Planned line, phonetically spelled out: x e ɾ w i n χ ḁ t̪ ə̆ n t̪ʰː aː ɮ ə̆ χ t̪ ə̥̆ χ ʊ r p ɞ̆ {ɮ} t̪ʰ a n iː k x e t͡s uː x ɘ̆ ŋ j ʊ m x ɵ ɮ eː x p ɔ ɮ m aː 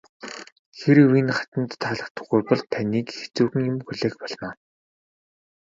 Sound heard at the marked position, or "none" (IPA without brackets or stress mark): ɮ